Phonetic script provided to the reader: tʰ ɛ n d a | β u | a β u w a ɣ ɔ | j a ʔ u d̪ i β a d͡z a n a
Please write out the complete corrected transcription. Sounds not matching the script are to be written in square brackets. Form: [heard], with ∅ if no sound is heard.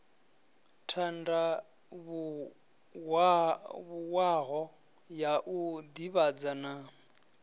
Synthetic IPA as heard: tʰ [a] n d a | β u | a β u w a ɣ ɔ | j a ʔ u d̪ i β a d͡z a n a

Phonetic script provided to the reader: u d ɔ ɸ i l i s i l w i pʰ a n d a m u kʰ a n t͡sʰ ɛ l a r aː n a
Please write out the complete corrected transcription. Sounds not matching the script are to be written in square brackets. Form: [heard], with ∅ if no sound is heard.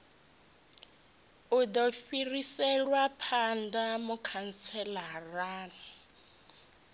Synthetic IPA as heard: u d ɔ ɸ i [r] i s [ɛ] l w [a] pʰ a n d a m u kʰ a n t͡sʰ ɛ l a r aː n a

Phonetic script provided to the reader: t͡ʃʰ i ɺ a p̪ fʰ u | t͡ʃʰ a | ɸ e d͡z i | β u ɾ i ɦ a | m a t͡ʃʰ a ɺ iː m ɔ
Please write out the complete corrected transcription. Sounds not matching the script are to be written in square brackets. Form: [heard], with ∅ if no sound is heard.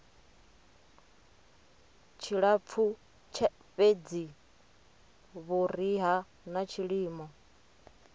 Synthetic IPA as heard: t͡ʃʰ i ɺ a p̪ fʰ u | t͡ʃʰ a | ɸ e d͡z i | β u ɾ i ɦ a | [n] a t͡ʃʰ [i] ɺ iː m ɔ

